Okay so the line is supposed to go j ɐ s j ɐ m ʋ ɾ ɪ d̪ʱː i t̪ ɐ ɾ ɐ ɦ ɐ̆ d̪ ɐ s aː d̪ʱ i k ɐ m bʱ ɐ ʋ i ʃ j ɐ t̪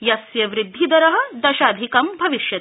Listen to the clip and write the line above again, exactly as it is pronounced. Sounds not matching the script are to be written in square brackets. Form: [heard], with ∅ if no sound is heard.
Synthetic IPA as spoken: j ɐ s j ɐ [∅] ʋ ɾ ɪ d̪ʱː i [d̪] ɐ ɾ ɐ ɦ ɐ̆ d̪ ɐ [ʃ] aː d̪ʱ i k ɐ m bʱ ɐ ʋ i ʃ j ɐ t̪